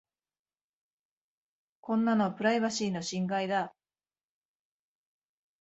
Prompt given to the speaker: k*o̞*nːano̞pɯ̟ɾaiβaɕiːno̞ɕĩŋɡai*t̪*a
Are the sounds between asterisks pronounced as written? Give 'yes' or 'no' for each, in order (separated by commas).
no, no